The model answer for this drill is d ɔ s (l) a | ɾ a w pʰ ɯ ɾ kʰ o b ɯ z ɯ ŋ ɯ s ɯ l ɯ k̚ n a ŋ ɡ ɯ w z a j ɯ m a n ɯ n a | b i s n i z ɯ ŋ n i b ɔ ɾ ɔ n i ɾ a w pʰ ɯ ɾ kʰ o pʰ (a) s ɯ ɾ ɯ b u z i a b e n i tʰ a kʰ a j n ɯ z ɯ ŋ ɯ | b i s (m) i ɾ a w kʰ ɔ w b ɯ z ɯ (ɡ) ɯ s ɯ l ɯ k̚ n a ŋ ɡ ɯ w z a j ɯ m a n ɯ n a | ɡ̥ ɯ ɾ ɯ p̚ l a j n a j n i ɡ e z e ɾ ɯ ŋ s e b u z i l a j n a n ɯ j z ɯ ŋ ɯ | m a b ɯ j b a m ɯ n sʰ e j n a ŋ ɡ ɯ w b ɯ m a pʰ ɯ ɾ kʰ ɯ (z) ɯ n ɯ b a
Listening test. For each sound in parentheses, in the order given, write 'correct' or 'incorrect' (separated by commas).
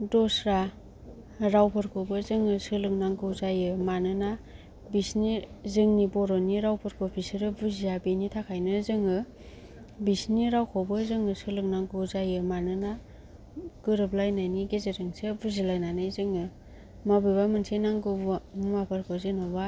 incorrect, incorrect, incorrect, incorrect, correct